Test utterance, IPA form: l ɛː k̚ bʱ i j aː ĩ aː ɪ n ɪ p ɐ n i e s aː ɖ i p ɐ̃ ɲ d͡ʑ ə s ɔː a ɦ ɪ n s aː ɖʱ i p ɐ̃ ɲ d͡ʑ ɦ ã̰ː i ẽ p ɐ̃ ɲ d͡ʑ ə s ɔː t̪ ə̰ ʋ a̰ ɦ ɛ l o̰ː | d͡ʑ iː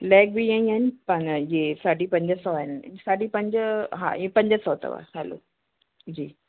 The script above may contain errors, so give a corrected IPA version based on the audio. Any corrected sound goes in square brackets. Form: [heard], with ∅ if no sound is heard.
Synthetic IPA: l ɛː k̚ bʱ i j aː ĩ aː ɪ n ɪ p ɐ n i e s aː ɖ i p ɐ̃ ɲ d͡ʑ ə s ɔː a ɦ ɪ n s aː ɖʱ i p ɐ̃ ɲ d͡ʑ ɦ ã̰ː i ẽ p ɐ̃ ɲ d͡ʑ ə s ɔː t̪ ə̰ ʋ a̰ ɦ ɛ l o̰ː | d͡ʑ iː